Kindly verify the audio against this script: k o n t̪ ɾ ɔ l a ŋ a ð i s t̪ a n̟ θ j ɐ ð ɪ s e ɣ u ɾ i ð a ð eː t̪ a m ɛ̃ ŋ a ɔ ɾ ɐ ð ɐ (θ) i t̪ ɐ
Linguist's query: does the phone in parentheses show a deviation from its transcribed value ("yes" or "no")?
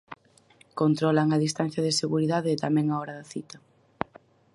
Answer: no